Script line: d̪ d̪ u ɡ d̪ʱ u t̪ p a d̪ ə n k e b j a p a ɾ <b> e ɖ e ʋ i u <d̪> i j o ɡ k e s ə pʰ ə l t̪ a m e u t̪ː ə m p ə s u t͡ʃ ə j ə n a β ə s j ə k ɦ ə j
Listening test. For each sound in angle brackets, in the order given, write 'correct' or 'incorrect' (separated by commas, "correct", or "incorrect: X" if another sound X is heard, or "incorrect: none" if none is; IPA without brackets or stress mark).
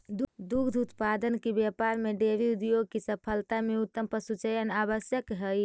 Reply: incorrect: m, correct